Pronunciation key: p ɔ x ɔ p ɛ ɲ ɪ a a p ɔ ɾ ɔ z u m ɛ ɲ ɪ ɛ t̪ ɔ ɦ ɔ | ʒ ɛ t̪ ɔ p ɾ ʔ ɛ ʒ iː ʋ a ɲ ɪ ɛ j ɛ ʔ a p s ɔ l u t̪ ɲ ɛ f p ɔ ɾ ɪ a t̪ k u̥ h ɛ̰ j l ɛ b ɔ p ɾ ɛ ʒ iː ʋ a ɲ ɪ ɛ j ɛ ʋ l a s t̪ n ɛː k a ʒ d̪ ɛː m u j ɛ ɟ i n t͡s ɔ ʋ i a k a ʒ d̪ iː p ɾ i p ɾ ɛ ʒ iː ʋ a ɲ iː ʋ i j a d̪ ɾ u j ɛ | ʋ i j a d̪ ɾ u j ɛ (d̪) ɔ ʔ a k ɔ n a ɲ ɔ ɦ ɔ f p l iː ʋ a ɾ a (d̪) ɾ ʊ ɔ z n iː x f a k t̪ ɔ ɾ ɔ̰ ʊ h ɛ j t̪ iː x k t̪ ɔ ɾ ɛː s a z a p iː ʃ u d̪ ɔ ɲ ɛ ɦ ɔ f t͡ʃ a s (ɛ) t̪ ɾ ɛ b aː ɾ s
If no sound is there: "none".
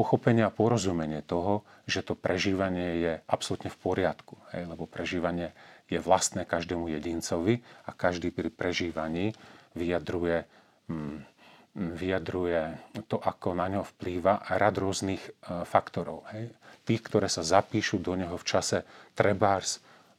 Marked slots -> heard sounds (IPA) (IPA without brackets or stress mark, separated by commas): t̪, d̪, ɛ